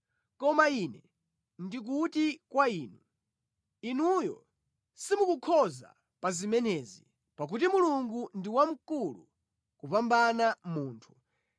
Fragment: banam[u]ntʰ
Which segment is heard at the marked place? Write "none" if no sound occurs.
uː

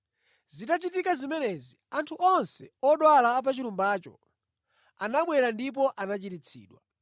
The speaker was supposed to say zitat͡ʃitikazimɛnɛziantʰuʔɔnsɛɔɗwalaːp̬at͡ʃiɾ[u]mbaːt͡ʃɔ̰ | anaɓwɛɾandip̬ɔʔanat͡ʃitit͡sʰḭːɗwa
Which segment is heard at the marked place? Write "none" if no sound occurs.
u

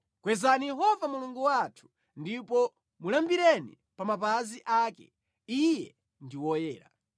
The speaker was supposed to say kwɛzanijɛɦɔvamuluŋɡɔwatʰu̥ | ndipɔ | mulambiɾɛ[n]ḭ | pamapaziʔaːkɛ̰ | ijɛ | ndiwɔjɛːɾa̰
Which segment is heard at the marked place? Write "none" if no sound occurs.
n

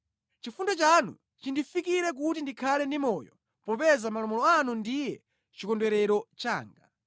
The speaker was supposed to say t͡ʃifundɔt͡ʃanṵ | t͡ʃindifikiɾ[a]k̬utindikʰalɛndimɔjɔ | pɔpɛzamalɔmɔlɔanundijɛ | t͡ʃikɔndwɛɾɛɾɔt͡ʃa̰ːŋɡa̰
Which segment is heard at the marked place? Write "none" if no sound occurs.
ɛ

